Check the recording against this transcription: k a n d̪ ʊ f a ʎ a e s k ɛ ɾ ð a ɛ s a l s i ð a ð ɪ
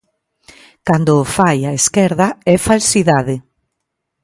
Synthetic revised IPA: k a n d̪ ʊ f a j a e s k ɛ ɾ ð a ɛ f a l s i ð a ð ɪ